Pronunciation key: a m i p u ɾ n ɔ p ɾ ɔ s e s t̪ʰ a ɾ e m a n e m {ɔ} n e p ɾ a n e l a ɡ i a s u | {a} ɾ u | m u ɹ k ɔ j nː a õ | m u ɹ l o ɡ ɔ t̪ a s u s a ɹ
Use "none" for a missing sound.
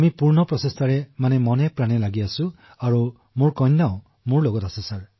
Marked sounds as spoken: ɔ, a

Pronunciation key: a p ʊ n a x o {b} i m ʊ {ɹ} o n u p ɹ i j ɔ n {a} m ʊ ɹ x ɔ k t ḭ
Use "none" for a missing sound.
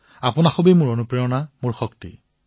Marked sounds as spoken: b, ɹ, a

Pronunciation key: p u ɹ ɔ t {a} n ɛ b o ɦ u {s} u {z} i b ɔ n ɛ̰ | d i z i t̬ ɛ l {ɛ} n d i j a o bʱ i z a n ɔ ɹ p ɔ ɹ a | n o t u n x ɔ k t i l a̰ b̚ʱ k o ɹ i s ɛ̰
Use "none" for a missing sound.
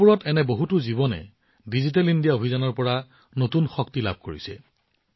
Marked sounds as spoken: ɛ, t, z, i

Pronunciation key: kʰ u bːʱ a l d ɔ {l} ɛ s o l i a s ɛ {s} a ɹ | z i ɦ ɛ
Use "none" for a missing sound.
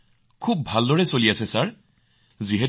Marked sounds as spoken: ɹ, s

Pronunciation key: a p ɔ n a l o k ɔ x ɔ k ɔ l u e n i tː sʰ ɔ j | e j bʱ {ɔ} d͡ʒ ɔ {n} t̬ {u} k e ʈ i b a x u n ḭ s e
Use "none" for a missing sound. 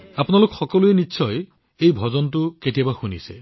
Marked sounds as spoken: ɔ, n, u

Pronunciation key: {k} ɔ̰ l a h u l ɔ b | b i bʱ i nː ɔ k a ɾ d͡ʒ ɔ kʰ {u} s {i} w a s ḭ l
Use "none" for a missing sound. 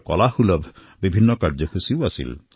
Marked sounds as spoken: k, u, i

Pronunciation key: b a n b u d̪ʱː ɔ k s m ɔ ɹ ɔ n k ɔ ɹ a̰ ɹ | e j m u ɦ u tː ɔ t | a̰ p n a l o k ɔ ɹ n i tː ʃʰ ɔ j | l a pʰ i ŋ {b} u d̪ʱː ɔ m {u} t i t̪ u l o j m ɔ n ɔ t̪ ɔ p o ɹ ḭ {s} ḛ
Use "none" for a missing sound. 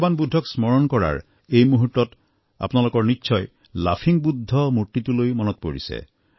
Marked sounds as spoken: b, u, s

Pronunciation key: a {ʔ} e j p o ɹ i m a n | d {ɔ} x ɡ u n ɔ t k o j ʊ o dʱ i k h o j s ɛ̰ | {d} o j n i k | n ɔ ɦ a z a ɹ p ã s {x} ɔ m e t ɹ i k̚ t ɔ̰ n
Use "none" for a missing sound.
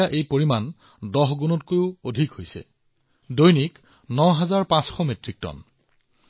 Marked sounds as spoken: ʔ, ɔ, d, x

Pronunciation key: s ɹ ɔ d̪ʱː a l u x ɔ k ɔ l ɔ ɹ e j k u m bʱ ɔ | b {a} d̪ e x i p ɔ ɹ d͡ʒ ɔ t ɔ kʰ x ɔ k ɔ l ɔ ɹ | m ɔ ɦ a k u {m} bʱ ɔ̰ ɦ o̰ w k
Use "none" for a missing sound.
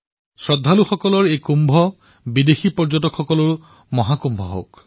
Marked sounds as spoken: i, m

